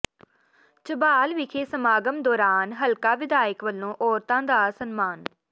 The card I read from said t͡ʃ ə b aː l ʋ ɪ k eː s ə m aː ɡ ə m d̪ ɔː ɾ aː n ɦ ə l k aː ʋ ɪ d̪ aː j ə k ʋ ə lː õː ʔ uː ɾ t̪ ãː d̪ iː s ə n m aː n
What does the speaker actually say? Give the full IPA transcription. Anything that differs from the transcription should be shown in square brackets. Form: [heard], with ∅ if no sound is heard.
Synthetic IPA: t͡ʃ ə b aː l ʋ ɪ [kʰ] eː s ə m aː ɡ ə m d̪ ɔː ɾ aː n ɦ ə l k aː ʋ ɪ d̪ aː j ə k ʋ ə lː õː ʔ [ɔː] ɾ t̪ ãː d̪ [aː] s ə n m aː n

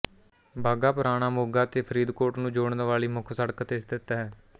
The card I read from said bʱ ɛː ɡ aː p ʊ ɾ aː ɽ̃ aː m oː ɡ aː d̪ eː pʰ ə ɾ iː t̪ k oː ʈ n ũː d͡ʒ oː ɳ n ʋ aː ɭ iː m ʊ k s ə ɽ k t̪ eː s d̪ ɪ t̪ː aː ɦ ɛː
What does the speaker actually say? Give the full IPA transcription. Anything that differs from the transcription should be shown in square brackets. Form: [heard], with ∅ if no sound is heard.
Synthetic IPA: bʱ [aː] ɡ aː p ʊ ɾ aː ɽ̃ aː m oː ɡ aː [t̪] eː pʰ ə ɾ iː [d̪] k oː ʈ n ũː d͡ʒ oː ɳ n ʋ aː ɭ iː m ʊ [kʰ] s ə ɽ k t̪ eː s d̪ ɪ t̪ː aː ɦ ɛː

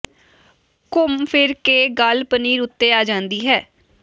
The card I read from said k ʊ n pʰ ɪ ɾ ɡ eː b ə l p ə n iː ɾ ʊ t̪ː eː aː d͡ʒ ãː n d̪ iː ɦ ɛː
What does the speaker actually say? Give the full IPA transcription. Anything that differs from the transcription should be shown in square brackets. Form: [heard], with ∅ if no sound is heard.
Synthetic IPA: k ʊ [m] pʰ ɪ ɾ [k] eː [ɡ] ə l p ə n iː ɾ ʊ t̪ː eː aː d͡ʒ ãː n d̪ iː ɦ ɛː

